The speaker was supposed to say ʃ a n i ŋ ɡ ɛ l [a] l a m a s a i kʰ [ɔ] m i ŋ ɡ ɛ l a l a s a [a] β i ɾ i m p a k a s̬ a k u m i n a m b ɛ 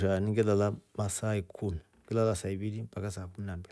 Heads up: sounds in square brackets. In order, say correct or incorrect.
correct, incorrect, incorrect

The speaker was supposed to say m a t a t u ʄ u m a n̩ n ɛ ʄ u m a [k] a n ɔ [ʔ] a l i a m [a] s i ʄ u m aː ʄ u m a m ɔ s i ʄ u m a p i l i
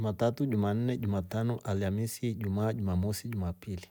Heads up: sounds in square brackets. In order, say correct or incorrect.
incorrect, correct, incorrect

